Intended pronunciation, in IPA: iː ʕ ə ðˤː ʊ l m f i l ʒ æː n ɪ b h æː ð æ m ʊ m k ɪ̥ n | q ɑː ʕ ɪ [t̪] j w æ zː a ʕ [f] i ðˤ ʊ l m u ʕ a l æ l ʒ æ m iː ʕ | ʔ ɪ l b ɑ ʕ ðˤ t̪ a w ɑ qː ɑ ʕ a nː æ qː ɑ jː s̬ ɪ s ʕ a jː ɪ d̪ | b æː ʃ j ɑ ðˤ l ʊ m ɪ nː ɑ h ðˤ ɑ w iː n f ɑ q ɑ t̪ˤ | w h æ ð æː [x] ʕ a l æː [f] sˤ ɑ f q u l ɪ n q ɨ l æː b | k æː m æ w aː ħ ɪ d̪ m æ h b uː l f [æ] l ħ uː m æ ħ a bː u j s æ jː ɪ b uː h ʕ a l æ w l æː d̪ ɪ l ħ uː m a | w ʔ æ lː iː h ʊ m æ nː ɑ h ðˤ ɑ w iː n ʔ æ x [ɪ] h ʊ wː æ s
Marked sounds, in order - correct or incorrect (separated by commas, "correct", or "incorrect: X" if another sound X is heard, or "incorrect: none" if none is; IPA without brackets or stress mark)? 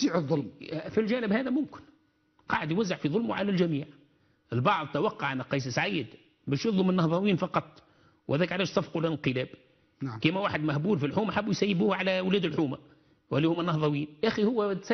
incorrect: d̪, correct, incorrect: k, incorrect: ʃ, incorrect: i, incorrect: i